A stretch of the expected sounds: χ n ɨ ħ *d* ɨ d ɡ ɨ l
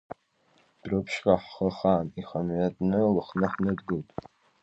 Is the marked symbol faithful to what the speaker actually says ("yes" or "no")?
no